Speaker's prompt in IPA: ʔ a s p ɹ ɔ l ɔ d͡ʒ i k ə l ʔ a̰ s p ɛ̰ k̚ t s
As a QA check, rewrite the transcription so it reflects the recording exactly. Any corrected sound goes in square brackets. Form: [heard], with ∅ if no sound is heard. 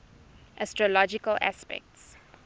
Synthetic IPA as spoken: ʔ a s [t] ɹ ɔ l ɔ d͡ʒ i k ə l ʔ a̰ s p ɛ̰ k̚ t s